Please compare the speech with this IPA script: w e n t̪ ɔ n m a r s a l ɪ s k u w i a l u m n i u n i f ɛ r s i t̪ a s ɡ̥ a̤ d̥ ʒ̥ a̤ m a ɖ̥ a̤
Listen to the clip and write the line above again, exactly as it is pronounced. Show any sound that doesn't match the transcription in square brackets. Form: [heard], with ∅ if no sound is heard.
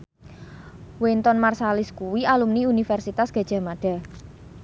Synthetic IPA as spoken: w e n t̪ ɔ n m a r s a l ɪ s k u w i a l u m n i u n i f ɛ r s i t̪ a s ɡ̥ a̤ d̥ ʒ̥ a̤ m a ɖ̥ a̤